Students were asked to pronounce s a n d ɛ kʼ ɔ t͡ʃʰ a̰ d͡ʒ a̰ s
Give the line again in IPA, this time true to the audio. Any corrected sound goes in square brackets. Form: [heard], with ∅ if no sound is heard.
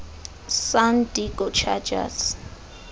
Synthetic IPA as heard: s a n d [i] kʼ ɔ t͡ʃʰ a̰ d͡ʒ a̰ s